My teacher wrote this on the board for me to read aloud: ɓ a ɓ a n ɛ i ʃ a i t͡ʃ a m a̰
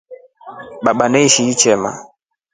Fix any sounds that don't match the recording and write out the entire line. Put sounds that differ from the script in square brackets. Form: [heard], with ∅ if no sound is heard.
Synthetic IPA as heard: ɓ a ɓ a n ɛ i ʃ [i] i t͡ʃ [ɛ] m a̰